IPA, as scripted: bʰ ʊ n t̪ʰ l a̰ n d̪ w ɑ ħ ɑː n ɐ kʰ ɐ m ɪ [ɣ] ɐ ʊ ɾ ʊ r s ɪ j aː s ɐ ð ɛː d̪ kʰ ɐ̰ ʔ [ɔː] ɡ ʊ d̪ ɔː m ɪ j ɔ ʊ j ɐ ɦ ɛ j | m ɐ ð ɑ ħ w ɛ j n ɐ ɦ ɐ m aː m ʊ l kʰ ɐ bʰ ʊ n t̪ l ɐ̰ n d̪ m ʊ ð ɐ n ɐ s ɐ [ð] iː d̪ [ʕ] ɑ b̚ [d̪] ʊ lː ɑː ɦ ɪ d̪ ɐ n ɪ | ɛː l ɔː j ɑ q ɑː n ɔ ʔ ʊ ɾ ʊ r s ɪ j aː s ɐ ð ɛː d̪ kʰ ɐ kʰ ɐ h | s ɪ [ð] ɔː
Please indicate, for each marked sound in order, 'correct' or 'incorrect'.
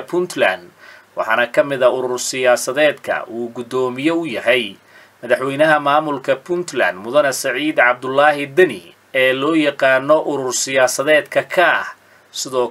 incorrect: ð, incorrect: uː, incorrect: ʕ, correct, correct, correct

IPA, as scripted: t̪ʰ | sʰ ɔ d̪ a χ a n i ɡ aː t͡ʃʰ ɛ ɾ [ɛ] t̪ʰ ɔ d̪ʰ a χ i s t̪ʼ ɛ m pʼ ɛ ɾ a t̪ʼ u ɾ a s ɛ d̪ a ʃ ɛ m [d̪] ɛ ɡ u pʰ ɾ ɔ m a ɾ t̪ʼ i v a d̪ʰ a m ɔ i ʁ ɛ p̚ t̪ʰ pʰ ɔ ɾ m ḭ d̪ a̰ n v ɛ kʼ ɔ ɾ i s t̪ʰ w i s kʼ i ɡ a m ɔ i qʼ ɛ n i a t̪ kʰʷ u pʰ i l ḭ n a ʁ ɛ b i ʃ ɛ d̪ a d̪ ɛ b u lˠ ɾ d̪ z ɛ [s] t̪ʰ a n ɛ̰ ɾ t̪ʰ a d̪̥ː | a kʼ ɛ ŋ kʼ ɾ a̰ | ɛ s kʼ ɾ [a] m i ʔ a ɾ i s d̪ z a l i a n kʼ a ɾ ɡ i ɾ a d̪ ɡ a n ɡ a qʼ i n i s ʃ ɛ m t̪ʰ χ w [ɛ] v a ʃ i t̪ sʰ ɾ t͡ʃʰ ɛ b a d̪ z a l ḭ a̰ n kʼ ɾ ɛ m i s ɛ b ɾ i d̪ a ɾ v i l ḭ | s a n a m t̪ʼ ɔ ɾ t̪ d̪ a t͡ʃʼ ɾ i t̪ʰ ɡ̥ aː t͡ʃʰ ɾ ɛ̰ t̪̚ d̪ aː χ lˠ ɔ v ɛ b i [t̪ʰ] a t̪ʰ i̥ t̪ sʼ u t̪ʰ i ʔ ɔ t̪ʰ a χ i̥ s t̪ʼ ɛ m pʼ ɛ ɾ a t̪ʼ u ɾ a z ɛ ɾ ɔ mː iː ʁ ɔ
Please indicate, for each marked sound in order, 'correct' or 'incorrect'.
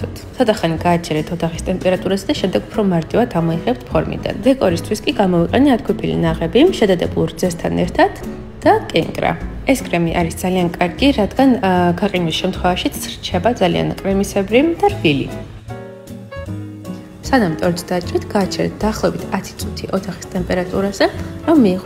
correct, correct, correct, incorrect: ɛ, correct, correct

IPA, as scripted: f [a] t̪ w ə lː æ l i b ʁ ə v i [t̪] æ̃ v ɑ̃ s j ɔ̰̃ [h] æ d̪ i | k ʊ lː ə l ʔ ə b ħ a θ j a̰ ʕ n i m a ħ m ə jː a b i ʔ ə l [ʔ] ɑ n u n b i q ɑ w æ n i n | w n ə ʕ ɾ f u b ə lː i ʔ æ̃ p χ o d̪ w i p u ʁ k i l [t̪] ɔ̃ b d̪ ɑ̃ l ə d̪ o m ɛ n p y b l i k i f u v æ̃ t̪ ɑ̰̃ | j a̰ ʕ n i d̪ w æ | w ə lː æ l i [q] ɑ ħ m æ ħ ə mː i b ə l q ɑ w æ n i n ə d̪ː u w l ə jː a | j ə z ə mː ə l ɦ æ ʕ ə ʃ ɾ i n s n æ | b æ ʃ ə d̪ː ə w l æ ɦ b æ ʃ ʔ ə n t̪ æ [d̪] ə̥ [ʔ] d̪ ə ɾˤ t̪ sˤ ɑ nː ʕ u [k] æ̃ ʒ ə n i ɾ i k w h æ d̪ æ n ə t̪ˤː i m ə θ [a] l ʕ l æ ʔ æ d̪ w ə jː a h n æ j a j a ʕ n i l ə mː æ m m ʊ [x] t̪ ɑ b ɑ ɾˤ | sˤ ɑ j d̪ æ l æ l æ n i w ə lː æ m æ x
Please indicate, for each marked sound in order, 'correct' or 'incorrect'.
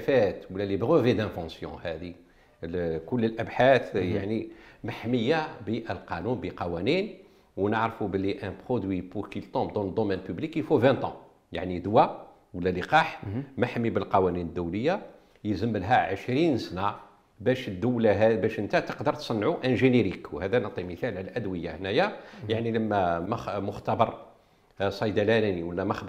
incorrect: æ, incorrect: d̪, correct, incorrect: q, correct, correct, incorrect: t̪, incorrect: q, incorrect: ʔ, incorrect: æ, correct

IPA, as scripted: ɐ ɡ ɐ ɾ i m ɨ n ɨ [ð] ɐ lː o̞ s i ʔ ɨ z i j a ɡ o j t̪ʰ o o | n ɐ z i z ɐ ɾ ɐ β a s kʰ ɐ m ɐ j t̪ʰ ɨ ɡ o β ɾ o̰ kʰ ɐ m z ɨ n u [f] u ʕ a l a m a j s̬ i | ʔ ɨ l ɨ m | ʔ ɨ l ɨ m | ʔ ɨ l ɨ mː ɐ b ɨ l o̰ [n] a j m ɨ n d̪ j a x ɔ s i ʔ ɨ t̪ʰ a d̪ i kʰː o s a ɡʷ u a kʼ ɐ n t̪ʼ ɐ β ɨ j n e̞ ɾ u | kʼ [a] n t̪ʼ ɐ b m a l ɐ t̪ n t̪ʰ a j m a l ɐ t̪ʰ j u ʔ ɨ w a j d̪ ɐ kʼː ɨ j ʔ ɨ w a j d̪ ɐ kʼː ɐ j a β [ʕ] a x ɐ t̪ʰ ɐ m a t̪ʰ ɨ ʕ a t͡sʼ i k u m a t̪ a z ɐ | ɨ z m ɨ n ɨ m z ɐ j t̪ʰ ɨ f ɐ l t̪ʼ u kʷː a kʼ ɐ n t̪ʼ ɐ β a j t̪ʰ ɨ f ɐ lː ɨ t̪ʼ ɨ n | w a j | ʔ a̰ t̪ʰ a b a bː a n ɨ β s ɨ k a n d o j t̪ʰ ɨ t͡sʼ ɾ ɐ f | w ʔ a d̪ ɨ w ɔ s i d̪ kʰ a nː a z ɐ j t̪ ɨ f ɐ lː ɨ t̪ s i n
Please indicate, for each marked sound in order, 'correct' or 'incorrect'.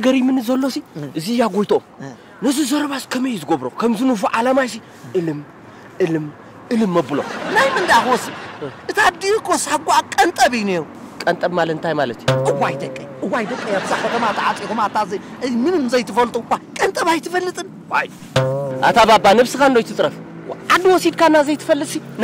incorrect: z, correct, correct, incorrect: ɐ, incorrect: z

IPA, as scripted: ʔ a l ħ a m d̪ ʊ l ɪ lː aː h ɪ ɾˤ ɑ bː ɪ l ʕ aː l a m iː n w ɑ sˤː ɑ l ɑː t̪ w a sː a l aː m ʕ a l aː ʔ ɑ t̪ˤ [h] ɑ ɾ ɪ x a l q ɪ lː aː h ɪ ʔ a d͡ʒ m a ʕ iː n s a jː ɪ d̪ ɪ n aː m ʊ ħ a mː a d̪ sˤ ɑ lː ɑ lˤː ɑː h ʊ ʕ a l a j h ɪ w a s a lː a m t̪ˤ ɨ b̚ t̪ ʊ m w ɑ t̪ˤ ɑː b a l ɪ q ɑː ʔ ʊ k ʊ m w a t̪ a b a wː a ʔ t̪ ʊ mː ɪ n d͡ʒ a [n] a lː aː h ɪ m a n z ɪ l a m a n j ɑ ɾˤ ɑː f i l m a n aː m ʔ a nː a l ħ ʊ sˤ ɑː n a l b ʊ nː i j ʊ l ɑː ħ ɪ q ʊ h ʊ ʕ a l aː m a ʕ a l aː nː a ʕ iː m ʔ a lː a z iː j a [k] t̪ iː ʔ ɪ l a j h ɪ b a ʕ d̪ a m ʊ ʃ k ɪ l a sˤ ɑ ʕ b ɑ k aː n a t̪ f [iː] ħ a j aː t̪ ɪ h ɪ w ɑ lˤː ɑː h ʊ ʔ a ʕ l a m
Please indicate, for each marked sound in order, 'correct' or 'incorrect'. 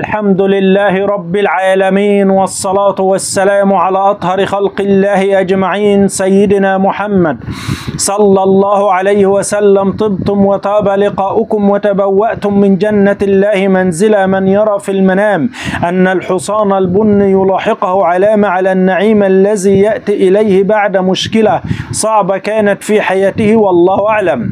correct, incorrect: nː, incorrect: ʔ, correct

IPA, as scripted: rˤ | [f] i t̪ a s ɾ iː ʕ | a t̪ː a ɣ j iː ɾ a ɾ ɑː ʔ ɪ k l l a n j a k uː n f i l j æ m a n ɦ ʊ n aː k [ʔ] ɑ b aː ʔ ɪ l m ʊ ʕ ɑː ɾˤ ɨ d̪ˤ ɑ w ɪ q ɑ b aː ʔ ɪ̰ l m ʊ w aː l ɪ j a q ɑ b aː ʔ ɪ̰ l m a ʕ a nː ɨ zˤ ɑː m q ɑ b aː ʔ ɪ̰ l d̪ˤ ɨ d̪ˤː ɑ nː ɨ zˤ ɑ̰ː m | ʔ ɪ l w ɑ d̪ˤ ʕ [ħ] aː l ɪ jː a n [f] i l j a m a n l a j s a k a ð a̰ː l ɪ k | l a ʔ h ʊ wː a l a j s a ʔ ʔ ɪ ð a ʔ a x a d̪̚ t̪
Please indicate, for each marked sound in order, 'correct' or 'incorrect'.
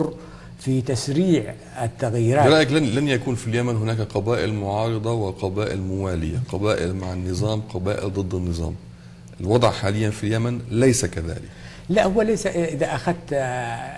correct, incorrect: q, correct, correct

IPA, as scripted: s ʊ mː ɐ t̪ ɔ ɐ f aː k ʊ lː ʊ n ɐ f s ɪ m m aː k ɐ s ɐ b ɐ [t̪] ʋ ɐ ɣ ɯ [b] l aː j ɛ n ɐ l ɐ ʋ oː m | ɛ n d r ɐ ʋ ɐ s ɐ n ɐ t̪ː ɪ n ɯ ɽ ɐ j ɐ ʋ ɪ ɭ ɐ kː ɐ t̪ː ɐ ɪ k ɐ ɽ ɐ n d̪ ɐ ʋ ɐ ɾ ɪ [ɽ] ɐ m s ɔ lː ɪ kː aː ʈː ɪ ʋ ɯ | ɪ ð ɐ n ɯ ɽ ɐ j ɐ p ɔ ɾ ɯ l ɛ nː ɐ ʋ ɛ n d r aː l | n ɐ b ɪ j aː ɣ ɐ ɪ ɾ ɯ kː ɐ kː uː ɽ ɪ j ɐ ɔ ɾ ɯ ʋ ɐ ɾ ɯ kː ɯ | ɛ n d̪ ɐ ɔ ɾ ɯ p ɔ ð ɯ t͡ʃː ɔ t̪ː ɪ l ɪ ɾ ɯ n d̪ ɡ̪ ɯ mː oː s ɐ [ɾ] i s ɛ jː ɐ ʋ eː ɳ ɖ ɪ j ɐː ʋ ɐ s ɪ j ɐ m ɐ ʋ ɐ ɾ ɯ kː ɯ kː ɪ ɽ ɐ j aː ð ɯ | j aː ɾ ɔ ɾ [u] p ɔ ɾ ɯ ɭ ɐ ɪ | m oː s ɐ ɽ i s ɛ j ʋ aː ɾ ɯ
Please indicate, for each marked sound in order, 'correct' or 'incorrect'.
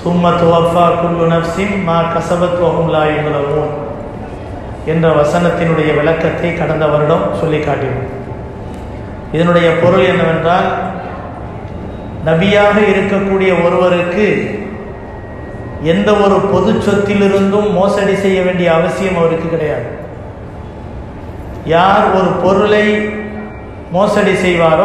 correct, incorrect: m, correct, incorrect: ɽ, incorrect: ɯ

